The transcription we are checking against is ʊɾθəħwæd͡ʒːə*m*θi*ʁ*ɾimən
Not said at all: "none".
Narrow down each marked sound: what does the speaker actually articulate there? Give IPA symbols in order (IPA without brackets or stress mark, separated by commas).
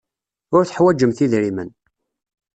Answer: m, ð